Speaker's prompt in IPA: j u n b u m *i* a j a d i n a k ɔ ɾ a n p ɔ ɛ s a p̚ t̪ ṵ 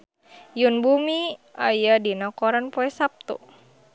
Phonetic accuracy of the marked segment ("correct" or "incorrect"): correct